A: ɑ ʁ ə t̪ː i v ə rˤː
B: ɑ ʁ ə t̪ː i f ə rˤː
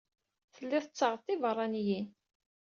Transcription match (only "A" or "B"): A